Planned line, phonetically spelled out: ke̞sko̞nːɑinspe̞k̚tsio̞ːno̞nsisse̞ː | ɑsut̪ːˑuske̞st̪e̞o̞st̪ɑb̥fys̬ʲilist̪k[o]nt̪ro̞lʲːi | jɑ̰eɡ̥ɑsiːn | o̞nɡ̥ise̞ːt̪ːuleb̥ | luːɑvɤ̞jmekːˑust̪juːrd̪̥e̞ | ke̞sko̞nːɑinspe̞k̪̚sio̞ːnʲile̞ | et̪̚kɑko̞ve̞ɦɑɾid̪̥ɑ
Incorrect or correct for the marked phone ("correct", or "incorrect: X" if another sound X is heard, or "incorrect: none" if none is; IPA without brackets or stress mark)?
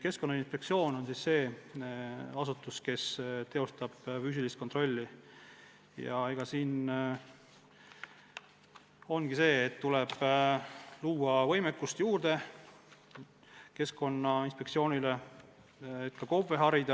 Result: correct